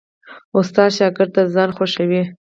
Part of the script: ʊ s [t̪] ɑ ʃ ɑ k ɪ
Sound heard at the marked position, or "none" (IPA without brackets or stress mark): t̪